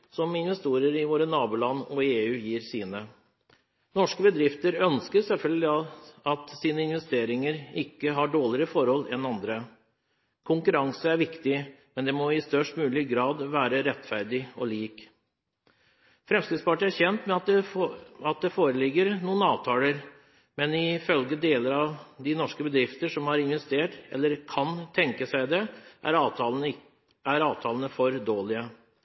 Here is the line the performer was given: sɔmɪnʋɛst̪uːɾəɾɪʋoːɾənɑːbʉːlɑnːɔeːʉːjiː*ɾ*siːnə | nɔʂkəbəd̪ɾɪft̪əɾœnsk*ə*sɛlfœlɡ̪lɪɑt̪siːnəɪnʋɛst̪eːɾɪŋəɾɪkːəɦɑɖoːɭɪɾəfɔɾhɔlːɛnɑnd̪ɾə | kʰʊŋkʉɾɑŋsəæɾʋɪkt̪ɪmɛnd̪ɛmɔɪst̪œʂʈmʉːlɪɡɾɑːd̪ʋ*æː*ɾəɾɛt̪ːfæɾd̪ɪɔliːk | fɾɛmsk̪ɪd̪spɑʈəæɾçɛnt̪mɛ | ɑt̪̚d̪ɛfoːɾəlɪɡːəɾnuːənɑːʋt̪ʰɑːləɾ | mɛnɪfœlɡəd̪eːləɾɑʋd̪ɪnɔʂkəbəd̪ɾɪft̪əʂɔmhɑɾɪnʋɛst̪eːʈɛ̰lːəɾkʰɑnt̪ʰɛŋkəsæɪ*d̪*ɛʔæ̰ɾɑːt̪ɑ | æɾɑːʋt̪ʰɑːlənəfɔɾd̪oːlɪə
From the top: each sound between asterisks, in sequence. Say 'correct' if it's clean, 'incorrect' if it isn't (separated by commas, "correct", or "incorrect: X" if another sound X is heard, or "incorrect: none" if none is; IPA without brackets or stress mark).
correct, correct, correct, correct